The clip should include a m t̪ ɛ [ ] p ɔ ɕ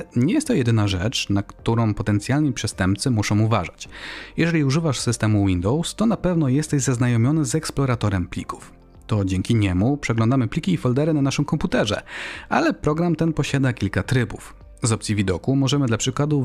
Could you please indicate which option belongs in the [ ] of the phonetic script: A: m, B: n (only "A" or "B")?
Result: B